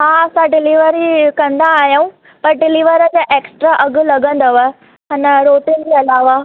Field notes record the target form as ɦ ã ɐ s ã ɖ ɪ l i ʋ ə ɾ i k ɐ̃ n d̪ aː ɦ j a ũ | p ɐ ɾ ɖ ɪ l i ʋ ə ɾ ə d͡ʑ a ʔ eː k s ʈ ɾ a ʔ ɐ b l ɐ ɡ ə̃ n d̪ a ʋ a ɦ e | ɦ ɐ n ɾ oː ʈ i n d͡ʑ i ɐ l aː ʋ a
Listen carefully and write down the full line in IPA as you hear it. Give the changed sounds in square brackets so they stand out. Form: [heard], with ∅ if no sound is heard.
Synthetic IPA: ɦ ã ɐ s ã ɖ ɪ l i ʋ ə ɾ i k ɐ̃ n d̪ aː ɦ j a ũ | p ɐ ɾ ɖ ɪ l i ʋ ə ɾ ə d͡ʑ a ʔ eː k s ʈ ɾ a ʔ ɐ [ɡ] l ɐ ɡ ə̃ n d̪ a ʋ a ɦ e | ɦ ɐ n ɾ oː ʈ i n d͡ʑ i ɐ l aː ʋ a